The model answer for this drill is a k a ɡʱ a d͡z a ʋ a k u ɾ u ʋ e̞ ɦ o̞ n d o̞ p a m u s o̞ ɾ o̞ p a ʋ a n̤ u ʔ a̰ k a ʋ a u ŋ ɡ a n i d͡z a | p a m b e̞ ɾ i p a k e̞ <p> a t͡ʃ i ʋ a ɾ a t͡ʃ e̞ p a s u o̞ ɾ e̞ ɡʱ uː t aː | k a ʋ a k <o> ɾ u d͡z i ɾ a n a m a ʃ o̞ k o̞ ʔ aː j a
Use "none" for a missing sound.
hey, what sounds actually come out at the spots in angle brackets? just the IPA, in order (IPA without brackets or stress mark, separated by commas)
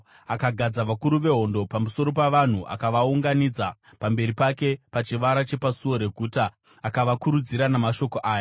p, u